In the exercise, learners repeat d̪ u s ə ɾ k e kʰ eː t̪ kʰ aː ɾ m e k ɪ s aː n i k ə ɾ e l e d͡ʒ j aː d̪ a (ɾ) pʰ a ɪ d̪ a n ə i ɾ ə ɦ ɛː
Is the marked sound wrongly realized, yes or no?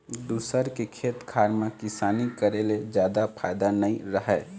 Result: yes